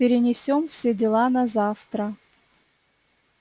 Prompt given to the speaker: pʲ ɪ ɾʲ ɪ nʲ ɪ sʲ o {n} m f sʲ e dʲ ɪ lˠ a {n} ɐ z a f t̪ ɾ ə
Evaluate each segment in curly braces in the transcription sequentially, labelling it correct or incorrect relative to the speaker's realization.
incorrect: none, correct

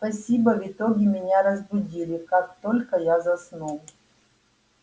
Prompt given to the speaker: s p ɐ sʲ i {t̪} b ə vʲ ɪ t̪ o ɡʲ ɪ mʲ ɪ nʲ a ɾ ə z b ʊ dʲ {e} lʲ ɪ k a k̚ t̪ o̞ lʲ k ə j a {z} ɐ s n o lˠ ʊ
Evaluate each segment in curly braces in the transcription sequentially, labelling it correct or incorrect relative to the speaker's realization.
incorrect: none, incorrect: i, correct

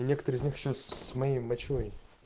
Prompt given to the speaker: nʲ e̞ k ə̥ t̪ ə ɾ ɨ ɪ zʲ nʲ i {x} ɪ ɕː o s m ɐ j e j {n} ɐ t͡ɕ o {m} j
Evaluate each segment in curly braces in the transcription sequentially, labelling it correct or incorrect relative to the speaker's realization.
correct, incorrect: m, incorrect: none

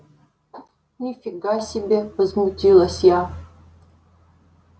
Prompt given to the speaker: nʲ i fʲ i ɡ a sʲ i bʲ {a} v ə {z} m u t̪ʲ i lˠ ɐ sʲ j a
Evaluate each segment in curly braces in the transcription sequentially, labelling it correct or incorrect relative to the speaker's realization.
incorrect: e, correct

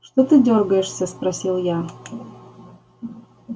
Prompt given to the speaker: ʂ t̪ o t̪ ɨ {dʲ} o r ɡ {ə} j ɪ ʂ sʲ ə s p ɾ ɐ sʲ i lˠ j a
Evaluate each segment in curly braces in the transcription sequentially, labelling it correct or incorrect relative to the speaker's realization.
correct, correct

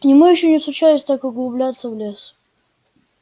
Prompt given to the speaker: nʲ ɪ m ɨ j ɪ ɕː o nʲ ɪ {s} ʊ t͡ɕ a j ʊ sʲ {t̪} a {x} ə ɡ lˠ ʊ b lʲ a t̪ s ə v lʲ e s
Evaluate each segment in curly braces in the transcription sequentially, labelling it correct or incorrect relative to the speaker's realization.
correct, correct, incorrect: k

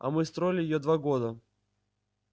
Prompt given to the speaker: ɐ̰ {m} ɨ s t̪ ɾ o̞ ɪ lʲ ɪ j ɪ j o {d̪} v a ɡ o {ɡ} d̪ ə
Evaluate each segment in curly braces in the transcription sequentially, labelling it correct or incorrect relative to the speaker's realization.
correct, correct, incorrect: none

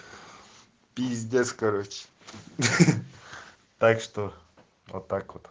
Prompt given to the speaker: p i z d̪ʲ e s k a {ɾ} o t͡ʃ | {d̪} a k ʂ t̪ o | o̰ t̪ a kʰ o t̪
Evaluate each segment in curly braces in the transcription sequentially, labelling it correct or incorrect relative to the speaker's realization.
correct, incorrect: t̪

